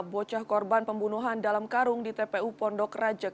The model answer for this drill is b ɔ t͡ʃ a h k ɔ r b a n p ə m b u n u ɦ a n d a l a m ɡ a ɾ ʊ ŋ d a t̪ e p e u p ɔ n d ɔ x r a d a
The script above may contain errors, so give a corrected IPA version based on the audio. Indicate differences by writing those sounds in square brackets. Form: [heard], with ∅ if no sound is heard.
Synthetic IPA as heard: b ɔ t͡ʃ a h k ɔ r b a n p ə m b u n u ɦ a n d a l a m [k] a ɾ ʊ ŋ d [i] t̪ e p e u p ɔ n d ɔ [k] r a [d͡ʒ] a